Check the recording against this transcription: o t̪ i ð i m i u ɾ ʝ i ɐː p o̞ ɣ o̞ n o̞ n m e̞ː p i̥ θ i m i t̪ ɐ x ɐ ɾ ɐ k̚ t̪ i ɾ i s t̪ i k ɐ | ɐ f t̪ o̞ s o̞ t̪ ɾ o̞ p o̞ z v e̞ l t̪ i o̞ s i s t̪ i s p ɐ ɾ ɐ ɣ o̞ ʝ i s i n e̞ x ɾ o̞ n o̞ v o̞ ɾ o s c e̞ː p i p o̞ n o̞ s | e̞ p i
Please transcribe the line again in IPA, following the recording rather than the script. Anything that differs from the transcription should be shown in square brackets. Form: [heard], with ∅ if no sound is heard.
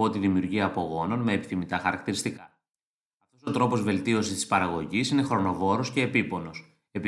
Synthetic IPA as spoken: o t̪ i ð i m i u ɾ ʝ i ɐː p o̞ ɣ o̞ n o̞ n m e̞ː p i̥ θ i m i t̪ ɐ x ɐ ɾ ɐ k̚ t̪ i ɾ i s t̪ i k ɐ | ɐ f t̪ o̞ s o̞ t̪ ɾ o̞ p o̞ z v e̞ l t̪ i o̞ s i s t̪ i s p ɐ ɾ ɐ ɣ o̞ ʝ i s i n e̞ x ɾ o̞ n o̞ v o̞ ɾ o s c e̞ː p i p o̞ n o̞ s | e̞ p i